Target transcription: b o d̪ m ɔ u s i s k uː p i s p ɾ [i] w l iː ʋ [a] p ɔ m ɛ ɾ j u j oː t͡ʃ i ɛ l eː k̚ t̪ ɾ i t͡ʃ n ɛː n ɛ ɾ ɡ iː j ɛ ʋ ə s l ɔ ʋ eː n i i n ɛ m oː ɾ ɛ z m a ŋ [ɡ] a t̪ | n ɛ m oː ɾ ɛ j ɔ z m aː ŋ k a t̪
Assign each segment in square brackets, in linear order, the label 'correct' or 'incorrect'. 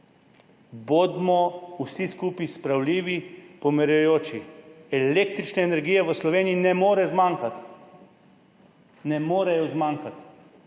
incorrect, incorrect, incorrect

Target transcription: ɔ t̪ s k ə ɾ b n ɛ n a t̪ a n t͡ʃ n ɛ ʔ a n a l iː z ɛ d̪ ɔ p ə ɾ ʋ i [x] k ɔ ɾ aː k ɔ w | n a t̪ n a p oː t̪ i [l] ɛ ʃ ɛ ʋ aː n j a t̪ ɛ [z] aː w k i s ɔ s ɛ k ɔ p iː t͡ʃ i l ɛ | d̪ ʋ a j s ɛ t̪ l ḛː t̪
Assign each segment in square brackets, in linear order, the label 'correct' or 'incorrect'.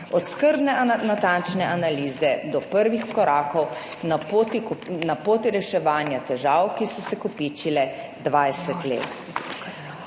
correct, incorrect, incorrect

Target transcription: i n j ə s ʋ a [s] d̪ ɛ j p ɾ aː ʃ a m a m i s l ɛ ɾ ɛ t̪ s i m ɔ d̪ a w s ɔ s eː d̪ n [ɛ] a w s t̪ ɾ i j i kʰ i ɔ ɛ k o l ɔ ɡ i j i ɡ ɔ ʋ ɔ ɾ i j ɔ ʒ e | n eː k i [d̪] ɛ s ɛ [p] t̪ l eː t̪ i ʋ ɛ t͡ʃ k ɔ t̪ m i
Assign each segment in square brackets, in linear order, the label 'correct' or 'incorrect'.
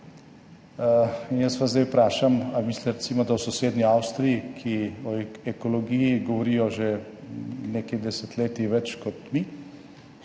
incorrect, incorrect, correct, incorrect

